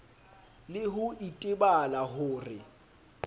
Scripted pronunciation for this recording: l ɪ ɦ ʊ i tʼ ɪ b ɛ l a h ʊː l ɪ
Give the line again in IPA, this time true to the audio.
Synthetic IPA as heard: l ɪ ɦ ʊ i tʼ ɪ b a l a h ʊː r ɪ